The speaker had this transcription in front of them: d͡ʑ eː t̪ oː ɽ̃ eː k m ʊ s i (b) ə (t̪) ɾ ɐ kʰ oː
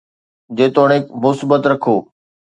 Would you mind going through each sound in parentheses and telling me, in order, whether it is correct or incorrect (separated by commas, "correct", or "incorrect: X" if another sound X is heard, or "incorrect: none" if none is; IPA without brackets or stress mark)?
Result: correct, correct